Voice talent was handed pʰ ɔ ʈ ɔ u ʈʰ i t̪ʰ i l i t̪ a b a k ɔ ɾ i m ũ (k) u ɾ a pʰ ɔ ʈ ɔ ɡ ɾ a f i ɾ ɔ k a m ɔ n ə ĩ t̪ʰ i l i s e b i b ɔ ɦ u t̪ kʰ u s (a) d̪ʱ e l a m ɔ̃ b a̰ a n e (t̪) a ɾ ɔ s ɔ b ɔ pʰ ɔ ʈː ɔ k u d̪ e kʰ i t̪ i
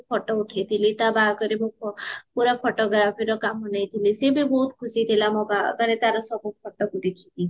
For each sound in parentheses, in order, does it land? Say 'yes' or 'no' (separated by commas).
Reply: no, no, yes